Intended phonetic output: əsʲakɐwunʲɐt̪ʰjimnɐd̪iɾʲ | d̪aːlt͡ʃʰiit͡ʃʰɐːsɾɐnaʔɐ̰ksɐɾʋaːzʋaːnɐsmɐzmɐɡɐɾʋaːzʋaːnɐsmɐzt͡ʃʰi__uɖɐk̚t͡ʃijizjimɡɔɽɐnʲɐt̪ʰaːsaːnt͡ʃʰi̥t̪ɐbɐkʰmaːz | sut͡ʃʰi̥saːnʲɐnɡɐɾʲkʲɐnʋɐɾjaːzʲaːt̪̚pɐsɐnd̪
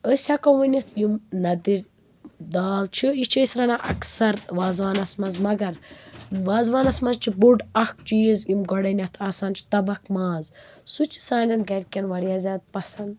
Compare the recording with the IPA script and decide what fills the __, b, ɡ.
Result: b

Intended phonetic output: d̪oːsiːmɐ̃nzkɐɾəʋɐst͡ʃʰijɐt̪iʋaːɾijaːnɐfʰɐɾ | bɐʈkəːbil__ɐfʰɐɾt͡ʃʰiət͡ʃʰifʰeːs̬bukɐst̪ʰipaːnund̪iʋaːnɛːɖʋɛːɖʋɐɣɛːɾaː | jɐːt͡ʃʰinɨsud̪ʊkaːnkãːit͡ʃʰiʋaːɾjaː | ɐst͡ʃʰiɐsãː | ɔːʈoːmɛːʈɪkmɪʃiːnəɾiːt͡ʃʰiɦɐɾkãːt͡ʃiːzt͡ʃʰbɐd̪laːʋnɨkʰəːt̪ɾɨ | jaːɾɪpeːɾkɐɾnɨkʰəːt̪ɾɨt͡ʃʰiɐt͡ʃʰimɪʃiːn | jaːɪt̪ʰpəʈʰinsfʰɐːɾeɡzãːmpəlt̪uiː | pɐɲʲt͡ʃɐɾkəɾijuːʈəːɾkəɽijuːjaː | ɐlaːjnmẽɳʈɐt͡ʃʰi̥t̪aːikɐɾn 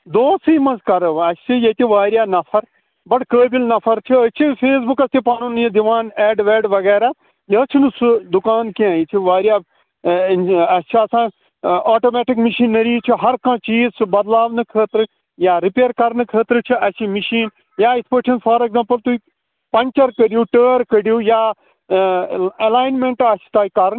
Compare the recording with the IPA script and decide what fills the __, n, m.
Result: n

